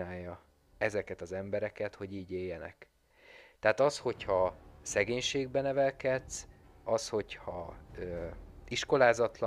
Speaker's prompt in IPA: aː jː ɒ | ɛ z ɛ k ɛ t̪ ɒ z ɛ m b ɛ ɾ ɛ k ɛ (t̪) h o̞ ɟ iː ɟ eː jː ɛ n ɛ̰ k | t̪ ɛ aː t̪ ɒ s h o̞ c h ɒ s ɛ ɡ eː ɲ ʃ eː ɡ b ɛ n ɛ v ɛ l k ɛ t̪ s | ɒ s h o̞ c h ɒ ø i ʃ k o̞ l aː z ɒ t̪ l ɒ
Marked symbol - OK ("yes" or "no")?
yes